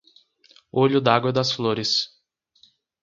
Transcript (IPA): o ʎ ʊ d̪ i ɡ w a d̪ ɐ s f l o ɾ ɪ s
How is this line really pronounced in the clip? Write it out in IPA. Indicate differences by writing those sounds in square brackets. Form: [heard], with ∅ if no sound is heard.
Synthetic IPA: o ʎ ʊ d̪ [a] ɡ w [ɐ] d̪ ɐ s f l o ɾ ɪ s